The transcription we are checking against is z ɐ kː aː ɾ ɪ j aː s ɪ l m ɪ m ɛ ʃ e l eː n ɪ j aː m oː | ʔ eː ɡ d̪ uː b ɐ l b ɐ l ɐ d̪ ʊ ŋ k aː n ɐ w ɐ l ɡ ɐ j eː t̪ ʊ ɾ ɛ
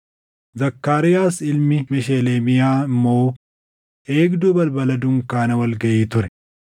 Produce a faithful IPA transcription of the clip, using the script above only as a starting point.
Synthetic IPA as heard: z ɐ kː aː ɾ ɪ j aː s ɪ l m ɪ m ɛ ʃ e l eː m ɪ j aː m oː | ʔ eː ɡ d̪ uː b ɐ l b ɐ l ɐ d̪ ʊ ŋ k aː n ɐ w ɐ l ɡ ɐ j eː t̪ ʊ ɾ ɛ